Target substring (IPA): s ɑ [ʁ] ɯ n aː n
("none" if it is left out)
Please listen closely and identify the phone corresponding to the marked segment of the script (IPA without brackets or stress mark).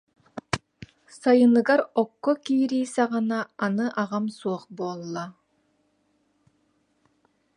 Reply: ʁ